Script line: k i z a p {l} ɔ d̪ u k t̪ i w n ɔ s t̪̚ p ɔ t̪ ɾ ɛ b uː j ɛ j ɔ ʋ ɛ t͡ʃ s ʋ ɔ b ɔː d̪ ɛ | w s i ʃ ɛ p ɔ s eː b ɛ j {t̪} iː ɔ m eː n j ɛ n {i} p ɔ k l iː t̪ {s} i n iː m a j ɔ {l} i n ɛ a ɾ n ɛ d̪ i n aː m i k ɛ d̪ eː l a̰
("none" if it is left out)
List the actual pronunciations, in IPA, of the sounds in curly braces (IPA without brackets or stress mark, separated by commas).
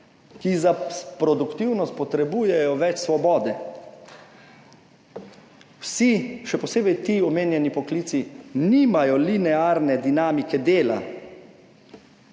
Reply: ɾ, t̪, i, s, l